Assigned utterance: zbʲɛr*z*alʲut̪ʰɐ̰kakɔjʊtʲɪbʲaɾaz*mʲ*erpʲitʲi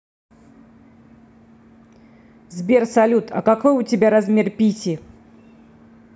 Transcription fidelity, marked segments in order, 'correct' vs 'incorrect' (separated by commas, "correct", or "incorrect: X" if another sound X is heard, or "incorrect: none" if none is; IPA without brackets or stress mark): incorrect: s, correct